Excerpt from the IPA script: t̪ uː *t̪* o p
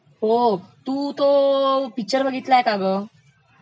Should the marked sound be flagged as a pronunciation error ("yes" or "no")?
no